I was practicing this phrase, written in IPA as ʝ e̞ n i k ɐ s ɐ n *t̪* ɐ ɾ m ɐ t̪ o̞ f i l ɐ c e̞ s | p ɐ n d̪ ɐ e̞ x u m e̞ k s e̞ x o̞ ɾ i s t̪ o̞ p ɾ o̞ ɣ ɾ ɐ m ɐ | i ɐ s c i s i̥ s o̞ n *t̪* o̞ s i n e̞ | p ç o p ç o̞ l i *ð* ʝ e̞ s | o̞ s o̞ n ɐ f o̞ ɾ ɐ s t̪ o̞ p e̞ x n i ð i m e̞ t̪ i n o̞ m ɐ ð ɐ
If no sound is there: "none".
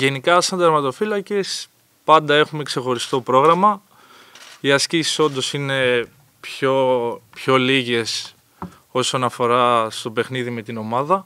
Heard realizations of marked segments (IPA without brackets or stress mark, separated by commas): d̪, d̪, none